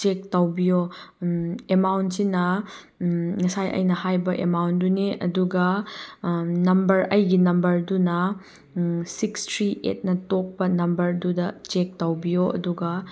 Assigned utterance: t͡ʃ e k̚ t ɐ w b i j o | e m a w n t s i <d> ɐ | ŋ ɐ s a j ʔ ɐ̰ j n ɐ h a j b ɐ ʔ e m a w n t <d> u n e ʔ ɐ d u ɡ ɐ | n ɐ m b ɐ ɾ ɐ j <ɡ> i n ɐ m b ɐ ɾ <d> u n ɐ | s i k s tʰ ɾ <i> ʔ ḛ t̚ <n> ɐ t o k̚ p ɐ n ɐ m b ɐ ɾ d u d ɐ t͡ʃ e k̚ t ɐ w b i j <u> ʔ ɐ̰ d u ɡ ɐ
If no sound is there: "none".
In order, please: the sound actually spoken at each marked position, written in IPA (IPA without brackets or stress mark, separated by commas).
n, d, ɡ, d, i, n, o